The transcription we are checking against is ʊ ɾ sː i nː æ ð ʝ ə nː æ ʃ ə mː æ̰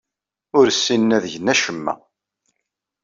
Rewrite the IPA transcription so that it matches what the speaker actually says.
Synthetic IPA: ʊ ɾ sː i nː æ ð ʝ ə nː æ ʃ ə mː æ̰